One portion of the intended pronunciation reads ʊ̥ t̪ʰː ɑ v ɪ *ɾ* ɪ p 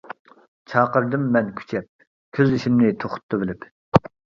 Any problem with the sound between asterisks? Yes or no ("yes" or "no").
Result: yes